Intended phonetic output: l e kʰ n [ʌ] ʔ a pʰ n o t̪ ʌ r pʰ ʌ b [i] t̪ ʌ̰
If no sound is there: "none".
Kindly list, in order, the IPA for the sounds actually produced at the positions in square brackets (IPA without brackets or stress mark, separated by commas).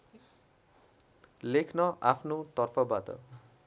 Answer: ʌ, a